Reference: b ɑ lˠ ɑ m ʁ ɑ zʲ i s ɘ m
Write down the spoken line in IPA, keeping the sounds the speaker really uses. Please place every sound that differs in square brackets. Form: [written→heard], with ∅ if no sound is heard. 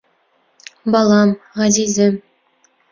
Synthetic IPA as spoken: b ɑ lˠ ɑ m ʁ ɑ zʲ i [s→z] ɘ m